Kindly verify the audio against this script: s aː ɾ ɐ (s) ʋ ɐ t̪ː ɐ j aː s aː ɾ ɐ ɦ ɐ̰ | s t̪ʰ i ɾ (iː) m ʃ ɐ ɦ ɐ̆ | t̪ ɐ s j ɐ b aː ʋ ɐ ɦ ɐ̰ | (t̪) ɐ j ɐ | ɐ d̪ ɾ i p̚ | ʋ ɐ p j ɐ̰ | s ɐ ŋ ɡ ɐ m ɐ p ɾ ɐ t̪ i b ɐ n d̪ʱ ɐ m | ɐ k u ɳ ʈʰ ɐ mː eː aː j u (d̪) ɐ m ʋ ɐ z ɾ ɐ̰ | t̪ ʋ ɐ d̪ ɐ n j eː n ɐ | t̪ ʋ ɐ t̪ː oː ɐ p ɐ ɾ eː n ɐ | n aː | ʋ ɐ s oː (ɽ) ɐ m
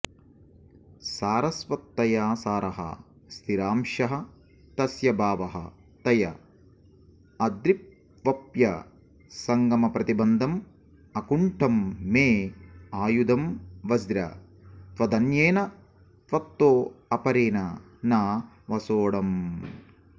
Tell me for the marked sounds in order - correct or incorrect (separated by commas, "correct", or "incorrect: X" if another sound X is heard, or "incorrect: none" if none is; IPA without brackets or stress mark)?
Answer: correct, incorrect: aː, correct, correct, correct